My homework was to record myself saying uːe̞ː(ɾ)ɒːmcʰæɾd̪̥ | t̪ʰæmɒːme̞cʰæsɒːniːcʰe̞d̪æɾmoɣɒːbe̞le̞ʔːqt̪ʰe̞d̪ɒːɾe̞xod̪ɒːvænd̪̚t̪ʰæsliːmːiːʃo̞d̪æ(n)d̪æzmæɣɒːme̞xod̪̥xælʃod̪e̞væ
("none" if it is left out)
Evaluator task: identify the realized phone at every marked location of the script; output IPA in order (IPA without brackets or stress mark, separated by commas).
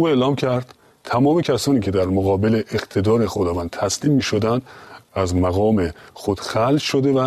l, n